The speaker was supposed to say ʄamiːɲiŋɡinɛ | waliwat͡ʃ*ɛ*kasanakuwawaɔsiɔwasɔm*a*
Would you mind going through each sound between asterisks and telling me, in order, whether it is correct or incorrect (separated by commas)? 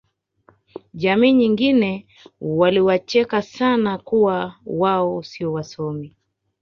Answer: correct, incorrect